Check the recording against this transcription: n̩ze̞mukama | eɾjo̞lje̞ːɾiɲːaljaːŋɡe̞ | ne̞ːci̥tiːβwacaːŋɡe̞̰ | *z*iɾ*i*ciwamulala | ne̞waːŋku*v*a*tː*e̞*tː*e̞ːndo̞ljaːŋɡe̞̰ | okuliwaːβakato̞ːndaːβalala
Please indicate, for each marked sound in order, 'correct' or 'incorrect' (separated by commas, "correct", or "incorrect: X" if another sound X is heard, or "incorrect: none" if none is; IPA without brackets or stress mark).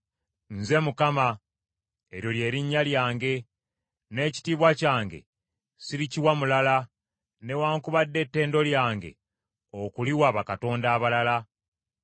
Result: incorrect: s, correct, incorrect: β, incorrect: dː, correct